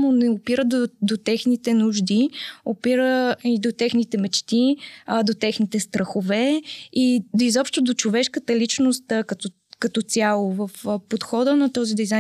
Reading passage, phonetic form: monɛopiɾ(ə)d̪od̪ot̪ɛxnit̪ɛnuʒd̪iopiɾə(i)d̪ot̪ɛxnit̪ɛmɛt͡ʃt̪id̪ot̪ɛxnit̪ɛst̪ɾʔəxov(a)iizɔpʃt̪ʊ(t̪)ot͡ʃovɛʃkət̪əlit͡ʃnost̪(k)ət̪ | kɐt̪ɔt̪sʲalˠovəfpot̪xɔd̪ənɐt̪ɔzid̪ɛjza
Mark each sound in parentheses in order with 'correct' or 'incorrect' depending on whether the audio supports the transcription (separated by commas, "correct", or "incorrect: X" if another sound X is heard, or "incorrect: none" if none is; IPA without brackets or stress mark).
correct, correct, incorrect: ɛ, incorrect: d̪, correct